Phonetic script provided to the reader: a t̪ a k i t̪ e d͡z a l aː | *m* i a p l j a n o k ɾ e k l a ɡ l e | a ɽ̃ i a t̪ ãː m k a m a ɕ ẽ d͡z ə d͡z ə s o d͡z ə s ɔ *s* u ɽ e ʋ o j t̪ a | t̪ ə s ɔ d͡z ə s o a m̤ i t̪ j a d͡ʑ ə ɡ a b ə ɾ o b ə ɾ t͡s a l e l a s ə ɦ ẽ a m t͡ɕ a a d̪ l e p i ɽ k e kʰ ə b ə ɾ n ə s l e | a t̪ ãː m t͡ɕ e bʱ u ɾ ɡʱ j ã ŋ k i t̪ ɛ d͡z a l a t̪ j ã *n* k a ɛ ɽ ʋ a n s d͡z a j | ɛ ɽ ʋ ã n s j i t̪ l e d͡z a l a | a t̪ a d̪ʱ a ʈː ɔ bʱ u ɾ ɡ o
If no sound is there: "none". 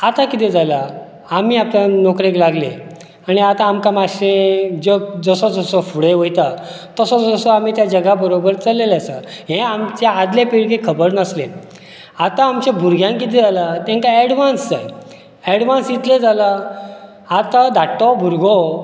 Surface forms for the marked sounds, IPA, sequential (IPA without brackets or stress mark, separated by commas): m, f, ŋ